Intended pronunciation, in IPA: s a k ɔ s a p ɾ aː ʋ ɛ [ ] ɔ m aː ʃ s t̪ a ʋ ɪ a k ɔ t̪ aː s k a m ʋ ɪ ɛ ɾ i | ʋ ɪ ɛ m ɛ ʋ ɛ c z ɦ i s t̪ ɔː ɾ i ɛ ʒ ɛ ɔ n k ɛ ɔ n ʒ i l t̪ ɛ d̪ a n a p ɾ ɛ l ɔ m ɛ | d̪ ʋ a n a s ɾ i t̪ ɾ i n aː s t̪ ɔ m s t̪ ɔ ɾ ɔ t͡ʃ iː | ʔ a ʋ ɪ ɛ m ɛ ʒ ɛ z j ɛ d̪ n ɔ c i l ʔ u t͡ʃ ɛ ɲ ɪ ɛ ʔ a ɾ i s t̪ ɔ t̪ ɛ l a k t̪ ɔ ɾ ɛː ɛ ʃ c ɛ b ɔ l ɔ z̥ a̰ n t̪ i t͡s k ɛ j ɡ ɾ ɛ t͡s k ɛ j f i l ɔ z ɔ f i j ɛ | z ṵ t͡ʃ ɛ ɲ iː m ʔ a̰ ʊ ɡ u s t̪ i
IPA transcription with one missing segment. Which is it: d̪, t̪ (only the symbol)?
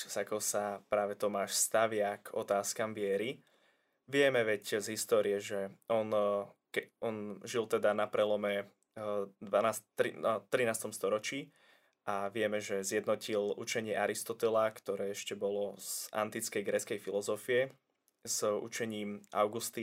t̪